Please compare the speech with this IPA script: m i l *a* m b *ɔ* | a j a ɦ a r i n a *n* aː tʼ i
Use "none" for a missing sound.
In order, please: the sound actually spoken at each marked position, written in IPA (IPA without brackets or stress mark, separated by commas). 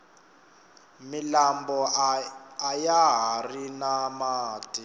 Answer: a, ɔ, m